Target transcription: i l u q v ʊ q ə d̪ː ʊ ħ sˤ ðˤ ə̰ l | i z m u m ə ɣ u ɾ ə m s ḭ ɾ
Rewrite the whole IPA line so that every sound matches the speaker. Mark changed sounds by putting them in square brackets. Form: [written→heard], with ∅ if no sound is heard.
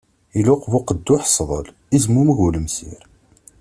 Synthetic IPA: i l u q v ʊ q ə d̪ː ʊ ħ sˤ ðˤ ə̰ l | i z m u m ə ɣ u [ɾ→l] ə m s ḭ ɾ